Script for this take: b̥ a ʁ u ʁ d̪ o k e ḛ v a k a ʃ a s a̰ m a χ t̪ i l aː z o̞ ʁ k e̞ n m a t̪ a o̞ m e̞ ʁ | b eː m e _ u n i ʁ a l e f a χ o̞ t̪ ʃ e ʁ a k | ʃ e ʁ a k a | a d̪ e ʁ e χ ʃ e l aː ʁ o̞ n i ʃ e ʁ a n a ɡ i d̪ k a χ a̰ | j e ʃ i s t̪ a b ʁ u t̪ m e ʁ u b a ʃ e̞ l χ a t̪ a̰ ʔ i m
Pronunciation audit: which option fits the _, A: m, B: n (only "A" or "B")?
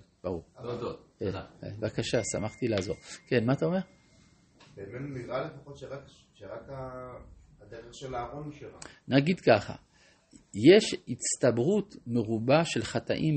B